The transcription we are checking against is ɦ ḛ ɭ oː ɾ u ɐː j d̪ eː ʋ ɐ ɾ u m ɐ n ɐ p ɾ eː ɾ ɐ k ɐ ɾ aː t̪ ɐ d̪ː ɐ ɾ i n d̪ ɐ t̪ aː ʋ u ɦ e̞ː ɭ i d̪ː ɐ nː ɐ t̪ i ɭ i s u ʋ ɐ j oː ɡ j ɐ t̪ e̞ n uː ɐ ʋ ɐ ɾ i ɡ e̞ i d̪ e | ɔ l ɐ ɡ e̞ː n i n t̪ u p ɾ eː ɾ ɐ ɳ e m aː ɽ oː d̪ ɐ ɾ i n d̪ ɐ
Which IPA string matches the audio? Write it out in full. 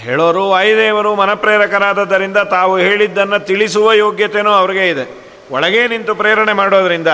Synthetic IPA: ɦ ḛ ɭ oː ɾ u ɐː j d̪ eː ʋ ɐ ɾ u m ɐ n ɐ p ɾ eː ɾ ɐ k ɐ ɾ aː d̪ ɐ d̪ː ɐ ɾ i n d̪ ɐ t̪ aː ʋ u ɦ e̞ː ɭ i d̪ː ɐ nː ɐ t̪ i ɭ i s u ʋ ɐ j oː ɡ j ɐ t̪ e̞ n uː ɐ ʋ ɐ ɾ i ɡ e̞ i d̪ e | ɔ ɭ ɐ ɡ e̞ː n i n t̪ u p ɾ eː ɾ ɐ ɳ e m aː ɽ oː d̪ ɐ ɾ i n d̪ ɐ